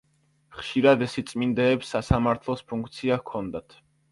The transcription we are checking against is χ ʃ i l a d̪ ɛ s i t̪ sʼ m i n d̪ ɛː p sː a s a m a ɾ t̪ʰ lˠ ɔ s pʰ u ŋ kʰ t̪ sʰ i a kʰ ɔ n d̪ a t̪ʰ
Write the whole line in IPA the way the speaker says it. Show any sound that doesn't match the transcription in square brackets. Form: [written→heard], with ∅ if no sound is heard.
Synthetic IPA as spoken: χ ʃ i [l→ɾ] a d̪ ɛ s i t̪ sʼ m i n d̪ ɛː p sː a s a m a ɾ t̪ʰ lˠ ɔ s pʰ u ŋ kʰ t̪ sʰ i a kʰ ɔ n d̪ a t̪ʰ